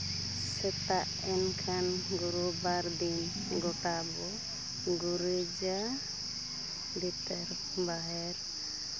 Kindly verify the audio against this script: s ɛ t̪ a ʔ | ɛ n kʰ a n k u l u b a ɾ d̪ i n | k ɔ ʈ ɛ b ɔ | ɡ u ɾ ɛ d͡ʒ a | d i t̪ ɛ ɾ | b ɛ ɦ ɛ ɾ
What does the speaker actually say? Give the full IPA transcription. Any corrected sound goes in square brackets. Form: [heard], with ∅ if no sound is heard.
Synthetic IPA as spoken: s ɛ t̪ a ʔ | ɛ n kʰ a n [ɡ] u [ɾ] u b a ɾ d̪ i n | [ɡ] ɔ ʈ [a] b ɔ | ɡ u ɾ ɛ d͡ʒ a | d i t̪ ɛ ɾ | b [a] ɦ ɛ ɾ